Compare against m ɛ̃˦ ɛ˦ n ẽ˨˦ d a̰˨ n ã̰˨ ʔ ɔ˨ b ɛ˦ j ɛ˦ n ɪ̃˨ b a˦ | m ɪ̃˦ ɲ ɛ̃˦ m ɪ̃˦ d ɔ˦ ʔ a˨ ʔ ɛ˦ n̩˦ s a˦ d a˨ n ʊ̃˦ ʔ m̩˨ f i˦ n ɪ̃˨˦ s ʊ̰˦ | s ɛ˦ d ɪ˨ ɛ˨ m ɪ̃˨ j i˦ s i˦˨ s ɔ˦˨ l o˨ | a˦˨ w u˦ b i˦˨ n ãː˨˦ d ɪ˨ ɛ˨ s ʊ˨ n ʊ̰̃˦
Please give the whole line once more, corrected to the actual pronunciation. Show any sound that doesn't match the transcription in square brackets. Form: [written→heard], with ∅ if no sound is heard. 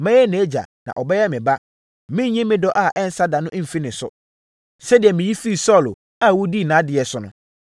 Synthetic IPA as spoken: m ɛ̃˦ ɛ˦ n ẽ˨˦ [d→d͡ʑ] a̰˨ n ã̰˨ ʔ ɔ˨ b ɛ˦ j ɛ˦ [n→m] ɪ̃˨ b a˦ | m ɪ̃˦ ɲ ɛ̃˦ m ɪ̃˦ d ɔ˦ ʔ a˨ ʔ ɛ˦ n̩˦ s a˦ d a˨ n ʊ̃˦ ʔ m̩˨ f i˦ n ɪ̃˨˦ s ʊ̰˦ | s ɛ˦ d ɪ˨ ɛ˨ m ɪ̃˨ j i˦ [s→f] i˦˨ s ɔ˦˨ l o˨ | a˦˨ w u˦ [b→d] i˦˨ n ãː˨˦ d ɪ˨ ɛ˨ s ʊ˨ n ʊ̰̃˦